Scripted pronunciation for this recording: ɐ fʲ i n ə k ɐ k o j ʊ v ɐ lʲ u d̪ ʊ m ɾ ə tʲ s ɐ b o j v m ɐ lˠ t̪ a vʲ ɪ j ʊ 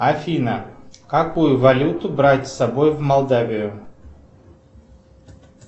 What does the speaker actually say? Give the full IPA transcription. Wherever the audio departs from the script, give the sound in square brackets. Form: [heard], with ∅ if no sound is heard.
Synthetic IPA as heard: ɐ fʲ i n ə k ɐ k [u] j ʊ v ɐ lʲ u [t̪] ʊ [b] ɾ [a] tʲ s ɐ b o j v m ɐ lˠ [d̪] a vʲ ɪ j ʊ